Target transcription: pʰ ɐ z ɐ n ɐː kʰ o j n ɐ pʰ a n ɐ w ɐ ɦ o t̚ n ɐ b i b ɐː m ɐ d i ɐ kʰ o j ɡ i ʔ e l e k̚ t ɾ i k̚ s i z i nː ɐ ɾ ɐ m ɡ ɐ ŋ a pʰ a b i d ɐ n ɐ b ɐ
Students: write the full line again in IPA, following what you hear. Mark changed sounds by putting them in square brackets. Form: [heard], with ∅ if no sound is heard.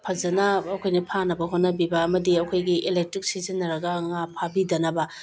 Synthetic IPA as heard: pʰ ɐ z ɐ n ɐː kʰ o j n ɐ pʰ a n ɐ [b] ɐ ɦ o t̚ n ɐ b i b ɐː m ɐ d i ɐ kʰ o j ɡ i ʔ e l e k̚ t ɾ i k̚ s i z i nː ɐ ɾ ɐ [∅] ɡ ɐ ŋ a pʰ a b i d ɐ n ɐ b ɐ